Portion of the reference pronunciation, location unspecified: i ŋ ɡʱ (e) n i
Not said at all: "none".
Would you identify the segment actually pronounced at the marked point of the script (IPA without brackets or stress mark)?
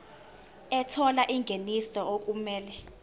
e